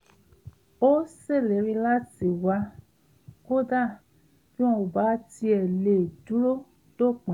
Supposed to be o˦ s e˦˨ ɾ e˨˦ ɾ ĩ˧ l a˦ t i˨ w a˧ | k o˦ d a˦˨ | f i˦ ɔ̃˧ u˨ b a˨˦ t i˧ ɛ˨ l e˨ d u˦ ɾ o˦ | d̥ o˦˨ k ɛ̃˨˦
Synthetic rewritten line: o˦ s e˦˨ l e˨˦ ɾ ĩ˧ l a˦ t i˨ w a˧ | k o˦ d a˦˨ | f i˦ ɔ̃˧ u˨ b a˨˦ t i˧ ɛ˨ l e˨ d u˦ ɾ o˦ | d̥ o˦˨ k͡p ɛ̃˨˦